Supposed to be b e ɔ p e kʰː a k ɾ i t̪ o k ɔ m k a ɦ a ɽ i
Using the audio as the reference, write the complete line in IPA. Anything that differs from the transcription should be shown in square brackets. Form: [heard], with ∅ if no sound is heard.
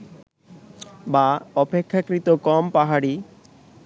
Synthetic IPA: b [a] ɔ p e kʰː a k ɾ i t̪ o k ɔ m [p] a ɦ a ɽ i